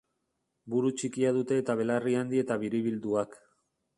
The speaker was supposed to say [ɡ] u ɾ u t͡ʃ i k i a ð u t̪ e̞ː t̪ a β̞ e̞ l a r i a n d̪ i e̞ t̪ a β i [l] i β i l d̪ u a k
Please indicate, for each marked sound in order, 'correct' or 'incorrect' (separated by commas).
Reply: incorrect, incorrect